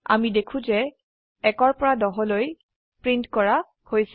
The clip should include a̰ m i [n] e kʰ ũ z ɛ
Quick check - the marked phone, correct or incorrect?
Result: incorrect